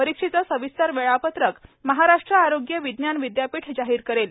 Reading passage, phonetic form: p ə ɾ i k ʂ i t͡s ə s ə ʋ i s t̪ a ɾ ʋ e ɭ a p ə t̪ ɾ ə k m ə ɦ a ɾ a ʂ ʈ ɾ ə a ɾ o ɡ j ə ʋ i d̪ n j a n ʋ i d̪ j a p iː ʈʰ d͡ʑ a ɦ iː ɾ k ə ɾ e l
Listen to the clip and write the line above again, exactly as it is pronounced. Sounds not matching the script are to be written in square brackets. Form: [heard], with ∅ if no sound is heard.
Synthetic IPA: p ə ɾ i k ʂ i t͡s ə s ə ʋ i s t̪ a ɾ ʋ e ɭ a p ə t̪ ɾ ə k m ə ɦ a ɾ a ʂ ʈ ɾ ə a ɾ o ɡ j ə ʋ i d̪ n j a n ʋ i d̪ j a p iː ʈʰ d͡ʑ a ɦ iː ɾ k ə ɾ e l